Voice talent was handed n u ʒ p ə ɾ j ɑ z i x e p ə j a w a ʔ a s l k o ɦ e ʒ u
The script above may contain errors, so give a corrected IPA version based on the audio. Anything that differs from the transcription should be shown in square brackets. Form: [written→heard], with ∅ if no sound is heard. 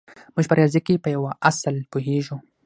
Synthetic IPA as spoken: [n→m] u ʒ p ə ɾ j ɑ z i [x→k] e p ə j a w a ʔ a s l [k→p] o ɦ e ʒ u